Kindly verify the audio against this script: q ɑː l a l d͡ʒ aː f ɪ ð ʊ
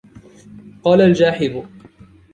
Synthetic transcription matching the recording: q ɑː l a l d͡ʒ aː ħ ɪ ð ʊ